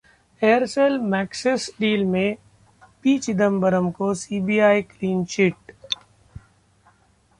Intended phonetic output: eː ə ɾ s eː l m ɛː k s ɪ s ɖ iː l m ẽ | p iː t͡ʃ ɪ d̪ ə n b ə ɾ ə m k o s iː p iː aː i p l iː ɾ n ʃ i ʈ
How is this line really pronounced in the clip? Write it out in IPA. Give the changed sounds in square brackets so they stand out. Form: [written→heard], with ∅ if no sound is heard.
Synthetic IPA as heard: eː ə ɾ s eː l m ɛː k s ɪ s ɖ iː l m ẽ | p iː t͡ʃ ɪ d̪ ə [n→m] b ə ɾ ə m k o s iː [p→b] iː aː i [p→k] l iː [ɾ→∅] n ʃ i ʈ